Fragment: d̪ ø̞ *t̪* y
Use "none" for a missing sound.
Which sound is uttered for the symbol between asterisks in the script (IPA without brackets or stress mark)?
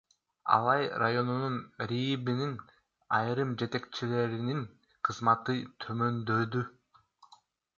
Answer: d̪